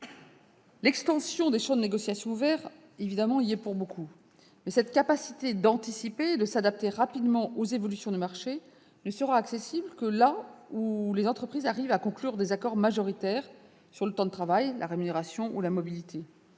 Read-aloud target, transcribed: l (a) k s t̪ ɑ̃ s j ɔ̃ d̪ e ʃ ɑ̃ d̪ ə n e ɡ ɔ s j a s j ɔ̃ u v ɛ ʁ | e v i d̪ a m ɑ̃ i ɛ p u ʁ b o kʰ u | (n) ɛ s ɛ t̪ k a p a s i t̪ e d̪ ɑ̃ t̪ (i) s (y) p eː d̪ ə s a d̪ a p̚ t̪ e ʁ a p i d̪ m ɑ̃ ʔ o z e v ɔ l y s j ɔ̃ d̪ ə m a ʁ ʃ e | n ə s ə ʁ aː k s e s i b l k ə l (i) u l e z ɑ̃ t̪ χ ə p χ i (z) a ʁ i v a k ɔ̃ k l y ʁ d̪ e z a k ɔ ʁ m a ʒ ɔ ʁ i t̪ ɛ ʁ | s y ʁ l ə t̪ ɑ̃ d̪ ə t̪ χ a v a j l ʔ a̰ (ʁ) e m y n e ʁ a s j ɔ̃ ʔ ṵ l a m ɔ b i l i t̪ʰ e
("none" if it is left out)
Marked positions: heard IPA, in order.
ɛ, m, i, i, a, z, ʁ

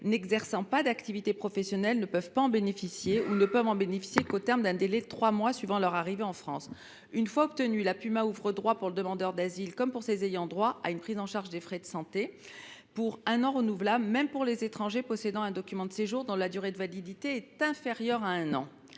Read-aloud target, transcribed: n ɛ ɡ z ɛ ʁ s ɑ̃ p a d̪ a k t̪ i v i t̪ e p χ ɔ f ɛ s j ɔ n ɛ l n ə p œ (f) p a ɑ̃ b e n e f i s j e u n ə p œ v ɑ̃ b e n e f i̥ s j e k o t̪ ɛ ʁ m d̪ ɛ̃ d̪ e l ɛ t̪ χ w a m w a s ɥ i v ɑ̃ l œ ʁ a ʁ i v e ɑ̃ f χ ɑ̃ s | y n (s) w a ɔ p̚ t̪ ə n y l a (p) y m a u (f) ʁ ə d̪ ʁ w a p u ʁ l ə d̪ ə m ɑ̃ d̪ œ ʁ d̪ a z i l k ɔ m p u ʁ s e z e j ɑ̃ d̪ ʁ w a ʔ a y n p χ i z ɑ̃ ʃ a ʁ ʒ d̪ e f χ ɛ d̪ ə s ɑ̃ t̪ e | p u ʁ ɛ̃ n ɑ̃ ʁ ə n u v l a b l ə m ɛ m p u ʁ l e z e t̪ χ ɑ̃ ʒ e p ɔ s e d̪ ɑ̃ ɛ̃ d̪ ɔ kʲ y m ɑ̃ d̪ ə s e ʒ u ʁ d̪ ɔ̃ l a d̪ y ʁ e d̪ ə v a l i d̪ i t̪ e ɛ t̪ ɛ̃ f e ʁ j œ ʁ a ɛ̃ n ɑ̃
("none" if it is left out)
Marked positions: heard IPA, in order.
v, f, p, v

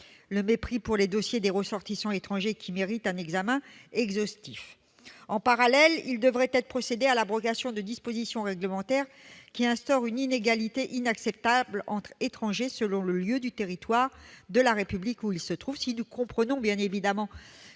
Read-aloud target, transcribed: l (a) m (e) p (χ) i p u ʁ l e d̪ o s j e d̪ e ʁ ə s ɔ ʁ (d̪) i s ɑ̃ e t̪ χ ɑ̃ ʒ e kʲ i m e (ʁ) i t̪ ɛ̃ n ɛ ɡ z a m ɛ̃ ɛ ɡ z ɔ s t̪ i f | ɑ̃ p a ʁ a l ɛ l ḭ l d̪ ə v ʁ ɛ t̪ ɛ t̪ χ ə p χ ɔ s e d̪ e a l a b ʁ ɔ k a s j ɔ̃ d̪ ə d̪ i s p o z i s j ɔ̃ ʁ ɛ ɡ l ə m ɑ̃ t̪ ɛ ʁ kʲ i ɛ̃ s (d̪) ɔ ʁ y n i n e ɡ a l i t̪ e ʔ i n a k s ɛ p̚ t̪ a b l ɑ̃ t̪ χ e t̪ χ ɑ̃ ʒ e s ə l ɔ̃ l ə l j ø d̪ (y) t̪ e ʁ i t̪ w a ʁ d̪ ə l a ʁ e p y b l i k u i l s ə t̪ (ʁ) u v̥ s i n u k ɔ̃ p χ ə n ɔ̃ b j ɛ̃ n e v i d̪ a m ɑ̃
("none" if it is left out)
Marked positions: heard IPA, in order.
ə, e, χ, t̪, ʁ, t̪, y, χ

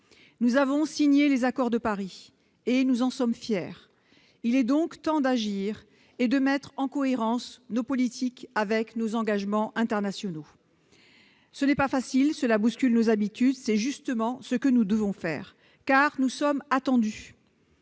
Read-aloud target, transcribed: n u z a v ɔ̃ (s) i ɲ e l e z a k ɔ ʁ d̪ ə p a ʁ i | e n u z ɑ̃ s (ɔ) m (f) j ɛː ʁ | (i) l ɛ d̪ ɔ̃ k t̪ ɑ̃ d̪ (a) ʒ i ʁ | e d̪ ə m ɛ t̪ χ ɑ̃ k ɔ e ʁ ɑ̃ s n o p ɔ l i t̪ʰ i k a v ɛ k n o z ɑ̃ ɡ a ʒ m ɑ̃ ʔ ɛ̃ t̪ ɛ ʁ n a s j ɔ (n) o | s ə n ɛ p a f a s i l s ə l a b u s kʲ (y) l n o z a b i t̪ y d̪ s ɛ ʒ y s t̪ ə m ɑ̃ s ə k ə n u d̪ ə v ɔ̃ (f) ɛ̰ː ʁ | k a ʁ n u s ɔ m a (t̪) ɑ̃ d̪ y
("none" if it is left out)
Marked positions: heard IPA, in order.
s, ɔ, f, i, a, n, y, f, t̪

